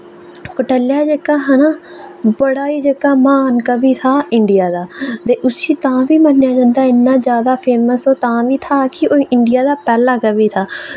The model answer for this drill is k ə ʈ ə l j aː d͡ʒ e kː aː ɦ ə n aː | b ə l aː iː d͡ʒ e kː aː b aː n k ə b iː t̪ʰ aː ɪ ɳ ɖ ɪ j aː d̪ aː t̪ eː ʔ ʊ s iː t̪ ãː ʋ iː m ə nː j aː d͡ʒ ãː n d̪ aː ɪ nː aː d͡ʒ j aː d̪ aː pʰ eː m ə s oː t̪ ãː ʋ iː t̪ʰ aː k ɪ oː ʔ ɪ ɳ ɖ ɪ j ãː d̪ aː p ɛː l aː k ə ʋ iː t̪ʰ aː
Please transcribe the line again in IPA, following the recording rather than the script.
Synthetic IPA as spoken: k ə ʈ ə l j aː d͡ʒ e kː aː ɦ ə n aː | b ə ɽ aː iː d͡ʒ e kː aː m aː n k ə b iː t̪ʰ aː ɪ ɳ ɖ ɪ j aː d̪ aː t̪ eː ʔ ʊ s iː t̪ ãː ʋ iː m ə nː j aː d͡ʒ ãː n d̪ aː ɪ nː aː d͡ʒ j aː d̪ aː pʰ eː m ə s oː t̪ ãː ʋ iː t̪ʰ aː k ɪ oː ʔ ɪ ɳ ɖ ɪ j aː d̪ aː p ɛː l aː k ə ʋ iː t̪ʰ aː